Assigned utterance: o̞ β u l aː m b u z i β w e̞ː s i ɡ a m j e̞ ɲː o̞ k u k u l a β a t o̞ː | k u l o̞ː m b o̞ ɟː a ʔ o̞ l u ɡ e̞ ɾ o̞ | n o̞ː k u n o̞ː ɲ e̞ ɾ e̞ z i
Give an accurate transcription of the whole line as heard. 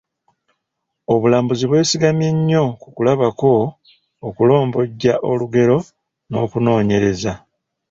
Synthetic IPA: o̞ β u l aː m b u z i β w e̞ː s i ɡ a m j e̞ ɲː o̞ k u k u l a β a k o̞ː | k u l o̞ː m b o̞ ɟː a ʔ o̞ l u ɡ e̞ ɾ o̞ | n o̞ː k u n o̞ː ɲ e̞ ɾ e̞ z a